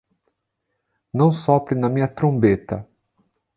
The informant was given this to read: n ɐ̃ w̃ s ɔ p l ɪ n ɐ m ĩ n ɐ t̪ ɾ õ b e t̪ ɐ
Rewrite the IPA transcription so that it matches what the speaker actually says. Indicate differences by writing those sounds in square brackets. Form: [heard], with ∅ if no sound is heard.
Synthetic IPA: n ɐ̃ w̃ s ɔ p [ɾ] ɪ n ɐ m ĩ [ɲ] ɐ t̪ ɾ õ b e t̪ ɐ

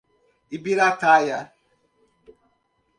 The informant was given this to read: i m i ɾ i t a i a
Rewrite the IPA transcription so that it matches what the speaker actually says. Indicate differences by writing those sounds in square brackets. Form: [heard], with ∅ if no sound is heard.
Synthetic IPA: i [b] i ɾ [a] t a [j] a

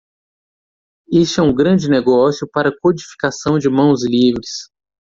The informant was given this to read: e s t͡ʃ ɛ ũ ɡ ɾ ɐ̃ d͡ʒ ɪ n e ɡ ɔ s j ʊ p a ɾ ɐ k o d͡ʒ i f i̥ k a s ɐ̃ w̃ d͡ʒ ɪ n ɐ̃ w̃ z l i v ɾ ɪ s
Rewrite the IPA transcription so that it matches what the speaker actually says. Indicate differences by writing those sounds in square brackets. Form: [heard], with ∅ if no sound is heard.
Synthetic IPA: e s t͡ʃ ɛ ũ ɡ ɾ ɐ̃ d͡ʒ ɪ n e ɡ ɔ s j ʊ p a ɾ ɐ k o d͡ʒ i f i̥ k a s ɐ̃ w̃ d͡ʒ ɪ [m] ɐ̃ w̃ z l i v ɾ ɪ s

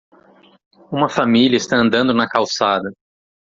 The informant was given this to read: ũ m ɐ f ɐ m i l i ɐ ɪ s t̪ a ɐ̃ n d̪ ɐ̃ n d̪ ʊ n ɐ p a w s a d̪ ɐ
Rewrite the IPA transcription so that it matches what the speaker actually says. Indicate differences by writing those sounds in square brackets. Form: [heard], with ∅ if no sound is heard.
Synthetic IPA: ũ m ɐ f [a] m i l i ɐ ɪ s t̪ a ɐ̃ n d̪ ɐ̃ n d̪ ʊ n ɐ [k] a w s a d̪ ɐ

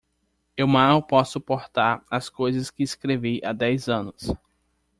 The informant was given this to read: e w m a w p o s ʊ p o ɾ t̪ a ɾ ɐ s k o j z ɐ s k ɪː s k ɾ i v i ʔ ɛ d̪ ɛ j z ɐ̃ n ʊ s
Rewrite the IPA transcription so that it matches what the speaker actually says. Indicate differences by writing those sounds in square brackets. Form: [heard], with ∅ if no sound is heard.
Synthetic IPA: e w m a w p [ɔ] s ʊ p o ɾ t̪ a ɾ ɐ s k o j z ɐ s k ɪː s k ɾ [e] v i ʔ [a] d̪ ɛ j z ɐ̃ n ʊ s

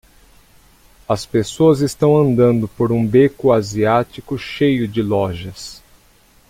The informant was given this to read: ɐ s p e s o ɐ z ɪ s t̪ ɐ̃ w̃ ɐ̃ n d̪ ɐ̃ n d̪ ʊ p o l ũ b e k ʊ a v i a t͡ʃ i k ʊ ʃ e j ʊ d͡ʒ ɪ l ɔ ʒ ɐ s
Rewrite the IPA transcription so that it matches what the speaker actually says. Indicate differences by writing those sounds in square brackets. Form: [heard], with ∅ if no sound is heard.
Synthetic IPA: ɐ s p e s o ɐ z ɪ s t̪ ɐ̃ w̃ ɐ̃ n d̪ ɐ̃ n d̪ ʊ p o [ɾ] ũ b e k ʊ a [z] i a t͡ʃ i k ʊ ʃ e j ʊ d͡ʒ ɪ l ɔ ʒ ɐ s

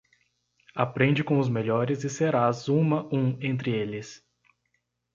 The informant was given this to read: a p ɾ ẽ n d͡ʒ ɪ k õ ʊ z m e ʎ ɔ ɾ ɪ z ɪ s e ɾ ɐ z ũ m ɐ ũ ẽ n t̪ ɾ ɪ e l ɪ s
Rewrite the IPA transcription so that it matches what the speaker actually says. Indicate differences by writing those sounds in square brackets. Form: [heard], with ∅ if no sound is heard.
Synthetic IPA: a p ɾ ẽ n d͡ʒ ɪ k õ ʊ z m e ʎ ɔ ɾ ɪ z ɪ s e ɾ [a] z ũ m ɐ ũ ẽ n t̪ ɾ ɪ e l ɪ s

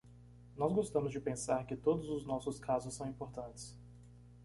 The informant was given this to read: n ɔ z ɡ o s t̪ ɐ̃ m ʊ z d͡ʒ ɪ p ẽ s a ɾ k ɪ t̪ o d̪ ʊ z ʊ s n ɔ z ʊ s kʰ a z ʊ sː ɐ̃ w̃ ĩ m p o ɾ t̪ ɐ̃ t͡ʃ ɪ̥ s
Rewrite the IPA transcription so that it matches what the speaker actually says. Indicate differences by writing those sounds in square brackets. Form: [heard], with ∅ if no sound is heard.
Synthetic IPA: n ɔ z ɡ o s t̪ ɐ̃ m ʊ z d͡ʒ ɪ p ẽ s a ɾ k ɪ t̪ o d̪ ʊ z ʊ [z] n ɔ [s] ʊ s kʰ a z ʊ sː ɐ̃ w̃ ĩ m p o ɾ t̪ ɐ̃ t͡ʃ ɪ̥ s

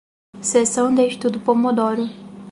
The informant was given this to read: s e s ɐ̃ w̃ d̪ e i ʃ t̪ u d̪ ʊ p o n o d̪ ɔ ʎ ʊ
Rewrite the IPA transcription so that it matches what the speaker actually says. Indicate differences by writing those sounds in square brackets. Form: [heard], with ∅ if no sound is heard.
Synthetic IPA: s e s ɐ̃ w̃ d̪ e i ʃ t̪ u d̪ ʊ p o [m] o d̪ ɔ [ɾ] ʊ

